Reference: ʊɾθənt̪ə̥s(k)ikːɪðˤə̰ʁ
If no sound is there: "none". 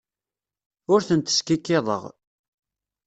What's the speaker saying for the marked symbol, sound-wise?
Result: k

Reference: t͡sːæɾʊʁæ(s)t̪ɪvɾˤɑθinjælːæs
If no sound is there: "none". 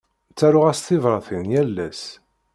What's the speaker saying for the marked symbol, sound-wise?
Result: s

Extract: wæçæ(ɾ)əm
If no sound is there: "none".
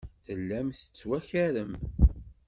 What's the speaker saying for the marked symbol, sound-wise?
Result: ɾ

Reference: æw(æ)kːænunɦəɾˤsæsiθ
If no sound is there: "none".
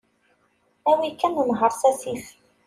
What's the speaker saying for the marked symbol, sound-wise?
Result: i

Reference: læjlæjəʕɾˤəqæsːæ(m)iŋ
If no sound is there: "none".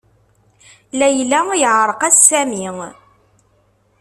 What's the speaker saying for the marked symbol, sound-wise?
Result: m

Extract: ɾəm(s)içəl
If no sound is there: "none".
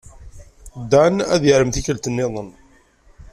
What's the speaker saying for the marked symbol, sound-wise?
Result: θ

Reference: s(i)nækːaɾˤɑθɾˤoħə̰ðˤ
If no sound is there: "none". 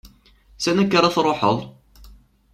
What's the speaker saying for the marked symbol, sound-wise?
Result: æ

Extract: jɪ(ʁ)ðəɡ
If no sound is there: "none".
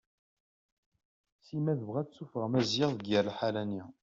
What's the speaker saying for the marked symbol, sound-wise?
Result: ʁ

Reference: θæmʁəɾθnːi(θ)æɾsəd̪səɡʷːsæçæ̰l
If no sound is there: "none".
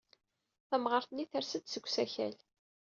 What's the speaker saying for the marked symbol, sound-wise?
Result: θ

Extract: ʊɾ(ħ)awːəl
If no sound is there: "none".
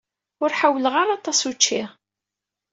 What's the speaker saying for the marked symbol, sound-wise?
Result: ħ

